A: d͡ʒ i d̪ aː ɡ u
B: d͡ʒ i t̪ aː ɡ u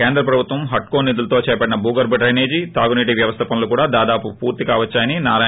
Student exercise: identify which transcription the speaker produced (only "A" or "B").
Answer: B